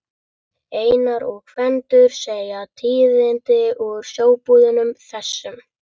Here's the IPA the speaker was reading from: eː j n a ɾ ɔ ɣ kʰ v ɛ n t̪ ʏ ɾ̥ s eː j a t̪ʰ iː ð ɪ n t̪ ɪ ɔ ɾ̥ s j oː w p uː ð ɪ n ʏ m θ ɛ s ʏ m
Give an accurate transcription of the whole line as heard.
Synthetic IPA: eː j n a ɾ ɔ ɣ kʰ v ɛ n t̪ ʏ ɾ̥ s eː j a t̪ʰ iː ð ɪ n t̪ ɪ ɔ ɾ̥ s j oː w p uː ð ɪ n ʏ m θ ɛ sː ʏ m